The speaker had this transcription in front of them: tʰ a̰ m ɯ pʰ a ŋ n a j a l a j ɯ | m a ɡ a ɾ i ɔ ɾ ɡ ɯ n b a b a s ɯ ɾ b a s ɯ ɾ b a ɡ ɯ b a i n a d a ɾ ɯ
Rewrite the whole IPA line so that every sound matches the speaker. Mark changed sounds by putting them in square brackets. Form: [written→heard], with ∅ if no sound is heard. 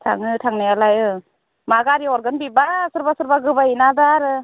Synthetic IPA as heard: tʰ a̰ [m→ŋ] ɯ [pʰ→tʰ] a ŋ n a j a l a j ɯ | m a ɡ a ɾ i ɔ ɾ ɡ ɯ n b [a→i] b a s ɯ ɾ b a s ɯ ɾ b a ɡ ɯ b a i n a d a ɾ ɯ